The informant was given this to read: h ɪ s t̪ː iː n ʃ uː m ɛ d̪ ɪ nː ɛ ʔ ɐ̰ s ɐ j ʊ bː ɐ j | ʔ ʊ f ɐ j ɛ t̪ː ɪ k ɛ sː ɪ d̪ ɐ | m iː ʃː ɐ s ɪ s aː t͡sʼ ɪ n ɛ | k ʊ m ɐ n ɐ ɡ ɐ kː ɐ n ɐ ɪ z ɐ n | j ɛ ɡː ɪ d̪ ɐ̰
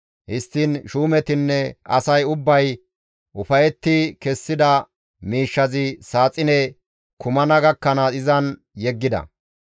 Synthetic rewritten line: h ɪ s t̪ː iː n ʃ uː m ɛ t̪ ɪ nː ɛ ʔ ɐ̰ s ɐ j ʊ bː ɐ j | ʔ ʊ f ɐ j ɛ t̪ː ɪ k ɛ sː ɪ d̪ ɐ | m iː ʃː ɐ z ɪ s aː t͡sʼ ɪ n ɛ | k ʊ m ɐ n ɐ ɡ ɐ kː ɐ n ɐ ɪ z ɐ n | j ɛ ɡː ɪ d̪ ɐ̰